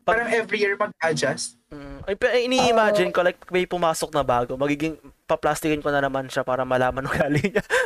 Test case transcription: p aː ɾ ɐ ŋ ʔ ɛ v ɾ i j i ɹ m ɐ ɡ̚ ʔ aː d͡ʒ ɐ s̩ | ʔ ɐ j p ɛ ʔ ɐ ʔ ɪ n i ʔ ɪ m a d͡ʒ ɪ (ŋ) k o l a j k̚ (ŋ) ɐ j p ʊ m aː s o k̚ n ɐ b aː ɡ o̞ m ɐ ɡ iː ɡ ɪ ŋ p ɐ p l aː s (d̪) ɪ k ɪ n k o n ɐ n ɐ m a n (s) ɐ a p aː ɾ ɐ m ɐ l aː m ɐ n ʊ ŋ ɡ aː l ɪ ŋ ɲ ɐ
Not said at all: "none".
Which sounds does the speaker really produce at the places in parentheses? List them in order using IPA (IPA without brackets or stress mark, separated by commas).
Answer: n, m, t̪, ʃ